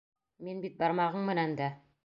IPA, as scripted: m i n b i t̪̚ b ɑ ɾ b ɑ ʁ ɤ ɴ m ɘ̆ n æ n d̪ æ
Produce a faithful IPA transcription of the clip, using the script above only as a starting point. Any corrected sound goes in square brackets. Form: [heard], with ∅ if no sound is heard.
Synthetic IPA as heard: m i n b i t̪̚ b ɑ ɾ [m] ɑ ʁ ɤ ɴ m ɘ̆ n æ n d̪ æ